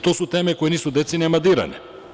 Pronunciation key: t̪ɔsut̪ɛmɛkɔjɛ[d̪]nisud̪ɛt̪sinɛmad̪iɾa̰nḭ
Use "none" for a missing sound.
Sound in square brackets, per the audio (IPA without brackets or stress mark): none